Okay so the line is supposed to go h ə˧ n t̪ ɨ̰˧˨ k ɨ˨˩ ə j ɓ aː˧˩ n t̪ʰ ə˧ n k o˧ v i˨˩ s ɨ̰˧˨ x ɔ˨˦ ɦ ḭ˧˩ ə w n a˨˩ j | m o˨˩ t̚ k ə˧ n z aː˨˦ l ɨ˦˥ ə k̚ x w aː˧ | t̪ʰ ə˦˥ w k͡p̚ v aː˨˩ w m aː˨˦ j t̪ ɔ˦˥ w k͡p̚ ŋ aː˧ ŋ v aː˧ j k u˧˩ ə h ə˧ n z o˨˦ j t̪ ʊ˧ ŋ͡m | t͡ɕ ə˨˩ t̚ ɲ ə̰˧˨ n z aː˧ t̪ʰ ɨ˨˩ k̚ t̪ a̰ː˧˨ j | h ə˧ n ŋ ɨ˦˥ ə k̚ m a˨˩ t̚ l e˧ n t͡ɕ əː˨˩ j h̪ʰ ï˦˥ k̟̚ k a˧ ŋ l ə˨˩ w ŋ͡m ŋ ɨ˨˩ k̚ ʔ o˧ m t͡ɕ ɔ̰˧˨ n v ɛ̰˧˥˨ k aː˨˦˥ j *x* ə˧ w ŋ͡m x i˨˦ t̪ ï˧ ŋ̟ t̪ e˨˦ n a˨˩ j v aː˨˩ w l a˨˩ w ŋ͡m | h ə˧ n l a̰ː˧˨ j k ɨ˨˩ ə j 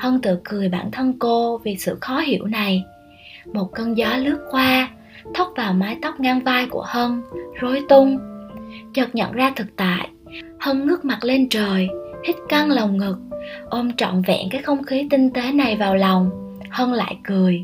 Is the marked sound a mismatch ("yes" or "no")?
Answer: no